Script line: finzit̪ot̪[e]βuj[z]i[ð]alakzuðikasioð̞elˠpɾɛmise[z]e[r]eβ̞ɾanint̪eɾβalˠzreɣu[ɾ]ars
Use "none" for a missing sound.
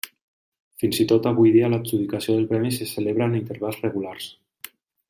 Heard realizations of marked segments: a, ð, none, s, l, l

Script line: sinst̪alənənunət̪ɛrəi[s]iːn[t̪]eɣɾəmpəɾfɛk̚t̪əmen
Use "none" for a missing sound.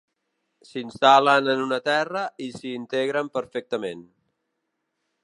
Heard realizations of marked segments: s, t̪

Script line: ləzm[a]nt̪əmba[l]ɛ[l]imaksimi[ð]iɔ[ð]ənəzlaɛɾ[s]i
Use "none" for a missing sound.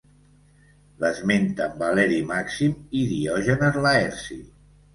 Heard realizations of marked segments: e, l, ɾ, ð, ʒ, s

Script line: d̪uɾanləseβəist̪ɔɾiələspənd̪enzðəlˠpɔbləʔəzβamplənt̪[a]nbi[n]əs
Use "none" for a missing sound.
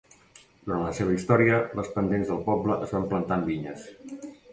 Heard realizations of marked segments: a, ɲ

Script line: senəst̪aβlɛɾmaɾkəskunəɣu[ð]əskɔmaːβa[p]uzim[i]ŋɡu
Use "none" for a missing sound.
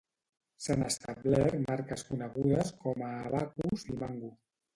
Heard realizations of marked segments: ð, k, a

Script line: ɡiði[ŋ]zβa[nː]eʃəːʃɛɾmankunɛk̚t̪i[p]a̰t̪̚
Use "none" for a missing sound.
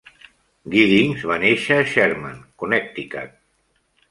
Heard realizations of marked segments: ŋ, n, k

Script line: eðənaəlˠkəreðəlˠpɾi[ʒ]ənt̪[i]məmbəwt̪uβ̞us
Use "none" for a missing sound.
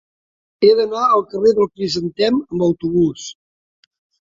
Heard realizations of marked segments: z, ɛ

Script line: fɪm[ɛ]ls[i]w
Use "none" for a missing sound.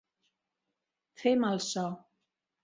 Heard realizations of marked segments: a, a

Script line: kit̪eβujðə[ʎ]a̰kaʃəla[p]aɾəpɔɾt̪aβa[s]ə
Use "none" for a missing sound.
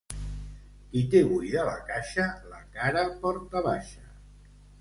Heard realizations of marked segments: l, k, ʃ

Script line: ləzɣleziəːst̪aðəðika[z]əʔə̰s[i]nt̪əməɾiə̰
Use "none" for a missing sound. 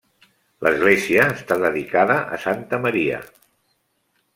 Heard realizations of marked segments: ð, a

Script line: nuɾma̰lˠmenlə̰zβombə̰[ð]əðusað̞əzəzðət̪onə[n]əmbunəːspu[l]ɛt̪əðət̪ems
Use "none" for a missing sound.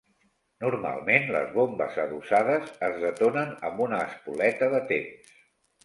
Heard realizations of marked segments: z, n, l

